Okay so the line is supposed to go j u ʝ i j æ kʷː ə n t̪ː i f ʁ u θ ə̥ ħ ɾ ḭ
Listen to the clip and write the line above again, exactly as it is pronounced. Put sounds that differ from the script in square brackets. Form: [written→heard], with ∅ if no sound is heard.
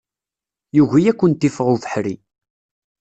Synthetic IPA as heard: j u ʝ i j æ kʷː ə n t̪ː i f ʁ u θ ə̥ ħ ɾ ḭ